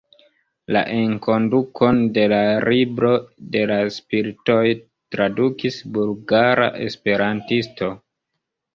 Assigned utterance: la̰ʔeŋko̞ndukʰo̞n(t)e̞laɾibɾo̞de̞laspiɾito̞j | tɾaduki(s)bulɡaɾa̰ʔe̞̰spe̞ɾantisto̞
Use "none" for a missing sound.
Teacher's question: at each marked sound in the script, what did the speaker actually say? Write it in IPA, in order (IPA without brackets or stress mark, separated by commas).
d, s